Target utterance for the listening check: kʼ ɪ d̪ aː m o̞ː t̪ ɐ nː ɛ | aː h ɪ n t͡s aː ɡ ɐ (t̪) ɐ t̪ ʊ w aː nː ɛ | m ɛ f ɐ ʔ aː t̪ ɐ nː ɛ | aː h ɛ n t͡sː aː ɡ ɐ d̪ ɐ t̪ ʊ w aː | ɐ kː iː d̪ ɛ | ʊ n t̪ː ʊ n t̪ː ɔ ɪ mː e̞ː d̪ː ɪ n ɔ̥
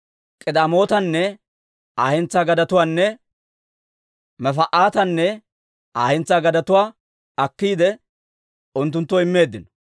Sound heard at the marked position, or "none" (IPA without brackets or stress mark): d̪